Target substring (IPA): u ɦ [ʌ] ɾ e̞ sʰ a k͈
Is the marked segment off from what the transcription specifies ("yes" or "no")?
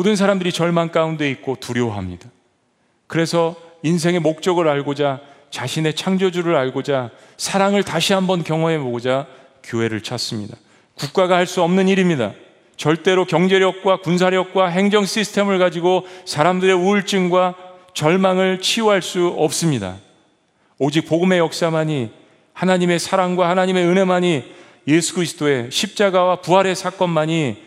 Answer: yes